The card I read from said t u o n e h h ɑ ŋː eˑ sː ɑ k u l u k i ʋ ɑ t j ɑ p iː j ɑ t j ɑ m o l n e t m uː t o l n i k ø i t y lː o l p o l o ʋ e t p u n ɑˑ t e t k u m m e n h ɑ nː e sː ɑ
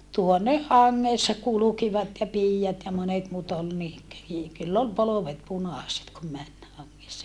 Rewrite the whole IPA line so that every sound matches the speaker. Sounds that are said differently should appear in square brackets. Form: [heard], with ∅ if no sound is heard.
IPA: t u o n e h h ɑ ŋː eˑ sː ɑ k u l u k i ʋ ɑ t j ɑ p iː j ɑ t j ɑ m o [∅] n e t m uː t o l n i k ø i [k] y lː o l p o l o ʋ e t p u n ɑˑ [s] e t k u m m [æ] n h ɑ [ŋː] e sː ɑ